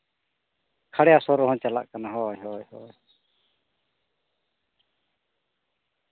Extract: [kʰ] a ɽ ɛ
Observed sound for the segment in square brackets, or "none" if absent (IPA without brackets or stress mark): kʰ